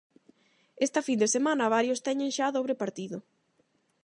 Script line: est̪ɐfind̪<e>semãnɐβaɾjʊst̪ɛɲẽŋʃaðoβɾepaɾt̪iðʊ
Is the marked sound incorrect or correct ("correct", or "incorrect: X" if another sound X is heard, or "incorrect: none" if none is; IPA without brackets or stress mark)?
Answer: correct